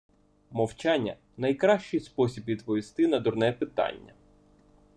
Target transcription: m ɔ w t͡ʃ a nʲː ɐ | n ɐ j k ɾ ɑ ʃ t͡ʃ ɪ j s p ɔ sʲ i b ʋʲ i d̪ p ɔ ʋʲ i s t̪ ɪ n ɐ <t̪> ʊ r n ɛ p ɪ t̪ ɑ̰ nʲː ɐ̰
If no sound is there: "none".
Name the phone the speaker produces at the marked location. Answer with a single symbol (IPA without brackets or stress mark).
d̪